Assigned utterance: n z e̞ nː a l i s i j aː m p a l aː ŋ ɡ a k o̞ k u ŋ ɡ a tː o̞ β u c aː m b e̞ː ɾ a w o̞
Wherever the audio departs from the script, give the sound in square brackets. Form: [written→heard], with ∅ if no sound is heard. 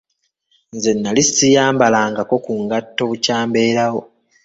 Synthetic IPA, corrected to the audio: n z e̞ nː a l i s i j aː m [p→b] a l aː ŋ ɡ a k o̞ k u ŋ ɡ a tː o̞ β u c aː m b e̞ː ɾ a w o̞